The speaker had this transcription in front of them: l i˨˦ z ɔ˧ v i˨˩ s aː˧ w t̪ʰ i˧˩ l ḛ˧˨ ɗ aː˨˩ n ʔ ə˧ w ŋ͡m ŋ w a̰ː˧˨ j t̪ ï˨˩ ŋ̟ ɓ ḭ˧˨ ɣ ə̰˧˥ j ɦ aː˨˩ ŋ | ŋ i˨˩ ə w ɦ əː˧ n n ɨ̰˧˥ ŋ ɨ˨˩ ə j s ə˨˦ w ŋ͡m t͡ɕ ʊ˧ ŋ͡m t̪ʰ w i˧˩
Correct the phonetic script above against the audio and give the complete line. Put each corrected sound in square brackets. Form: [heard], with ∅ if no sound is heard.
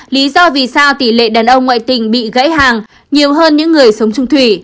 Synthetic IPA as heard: l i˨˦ z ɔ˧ v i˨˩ s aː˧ w [t̪] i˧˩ l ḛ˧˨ ɗ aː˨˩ n ʔ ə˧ w ŋ͡m ŋ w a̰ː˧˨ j t̪ ï˨˩ ŋ̟ ɓ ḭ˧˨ ɣ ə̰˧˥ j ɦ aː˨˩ ŋ | [ɲ] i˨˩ ə w ɦ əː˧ n [ɲ] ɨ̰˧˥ [ŋː] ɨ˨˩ ə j s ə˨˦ w ŋ͡m t͡ɕ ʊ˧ ŋ͡m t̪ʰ w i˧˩